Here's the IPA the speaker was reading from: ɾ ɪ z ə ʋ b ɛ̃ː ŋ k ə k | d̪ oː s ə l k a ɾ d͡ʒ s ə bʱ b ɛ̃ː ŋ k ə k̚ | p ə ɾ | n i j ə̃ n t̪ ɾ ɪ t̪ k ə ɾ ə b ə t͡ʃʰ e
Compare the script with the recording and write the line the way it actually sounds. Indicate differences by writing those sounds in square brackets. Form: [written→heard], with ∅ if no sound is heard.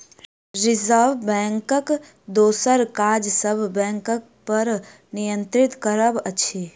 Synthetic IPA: ɾ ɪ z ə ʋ b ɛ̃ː ŋ k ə k | d̪ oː s ə [l→ɾ] k a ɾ d͡ʒ s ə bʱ b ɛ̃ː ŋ k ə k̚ | p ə ɾ | n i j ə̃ n t̪ ɾ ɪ t̪ k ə ɾ ə b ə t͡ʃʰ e